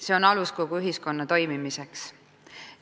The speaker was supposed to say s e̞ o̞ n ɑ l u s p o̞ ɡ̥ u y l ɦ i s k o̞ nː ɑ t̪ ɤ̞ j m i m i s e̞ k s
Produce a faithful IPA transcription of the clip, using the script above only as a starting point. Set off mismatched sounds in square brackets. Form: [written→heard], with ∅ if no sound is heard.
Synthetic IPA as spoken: s e̞ o̞ n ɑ l u s [p→k] o̞ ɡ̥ u y [l→∅] ɦ i s k o̞ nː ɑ t̪ [ɤ̞→o̞] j m i m i s e̞ k s